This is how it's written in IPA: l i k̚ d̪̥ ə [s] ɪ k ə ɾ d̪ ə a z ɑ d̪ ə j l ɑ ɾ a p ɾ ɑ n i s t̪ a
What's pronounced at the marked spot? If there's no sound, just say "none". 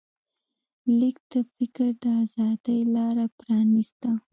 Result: f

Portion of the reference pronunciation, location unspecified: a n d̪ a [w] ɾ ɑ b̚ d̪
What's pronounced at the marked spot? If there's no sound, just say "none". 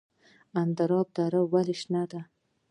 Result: none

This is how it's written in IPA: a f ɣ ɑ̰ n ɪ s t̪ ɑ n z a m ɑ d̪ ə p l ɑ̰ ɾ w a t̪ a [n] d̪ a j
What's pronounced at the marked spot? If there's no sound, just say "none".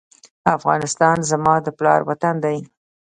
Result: n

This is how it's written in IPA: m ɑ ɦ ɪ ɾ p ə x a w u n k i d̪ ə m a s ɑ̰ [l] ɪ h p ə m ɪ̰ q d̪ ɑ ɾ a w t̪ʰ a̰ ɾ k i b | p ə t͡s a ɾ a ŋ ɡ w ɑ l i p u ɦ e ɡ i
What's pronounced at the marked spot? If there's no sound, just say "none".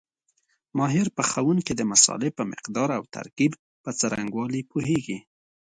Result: l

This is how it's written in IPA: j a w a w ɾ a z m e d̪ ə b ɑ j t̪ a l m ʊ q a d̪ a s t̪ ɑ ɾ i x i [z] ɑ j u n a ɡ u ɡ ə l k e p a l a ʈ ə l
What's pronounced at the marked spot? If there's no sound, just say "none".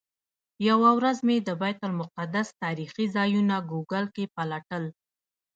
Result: z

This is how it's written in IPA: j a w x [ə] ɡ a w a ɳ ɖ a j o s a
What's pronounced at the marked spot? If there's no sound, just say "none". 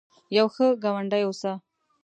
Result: ə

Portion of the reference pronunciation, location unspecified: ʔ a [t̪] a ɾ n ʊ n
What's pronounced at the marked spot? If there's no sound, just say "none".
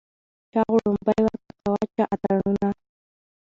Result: t̪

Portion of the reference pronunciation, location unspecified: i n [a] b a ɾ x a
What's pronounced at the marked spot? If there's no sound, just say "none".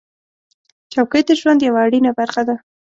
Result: a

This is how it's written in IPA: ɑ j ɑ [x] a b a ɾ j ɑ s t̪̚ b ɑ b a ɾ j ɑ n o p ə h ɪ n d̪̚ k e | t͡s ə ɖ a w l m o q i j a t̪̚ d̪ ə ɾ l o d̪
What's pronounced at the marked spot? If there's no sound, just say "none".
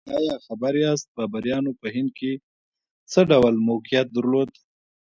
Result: x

